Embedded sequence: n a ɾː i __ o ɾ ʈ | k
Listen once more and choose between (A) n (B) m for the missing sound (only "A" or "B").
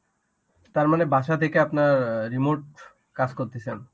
B